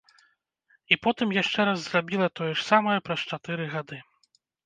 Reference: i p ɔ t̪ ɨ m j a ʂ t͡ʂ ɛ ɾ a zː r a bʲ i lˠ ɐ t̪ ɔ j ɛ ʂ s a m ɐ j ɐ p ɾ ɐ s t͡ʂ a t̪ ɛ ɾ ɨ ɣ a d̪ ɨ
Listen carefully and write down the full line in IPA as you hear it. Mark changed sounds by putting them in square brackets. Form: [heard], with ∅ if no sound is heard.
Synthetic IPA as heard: i p ɔ t̪ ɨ m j a ʂ t͡ʂ ɛ ɾ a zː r a bʲ i lˠ ɐ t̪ ɔ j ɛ ʂ s a m ɐ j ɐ p ɾ ɐ s t͡ʂ a t̪ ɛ ɾ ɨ ɣ a d̪ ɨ